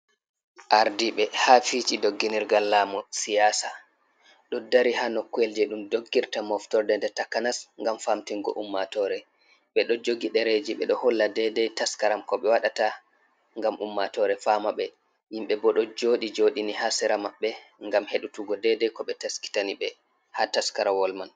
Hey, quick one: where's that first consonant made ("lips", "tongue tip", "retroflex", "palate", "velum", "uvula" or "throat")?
throat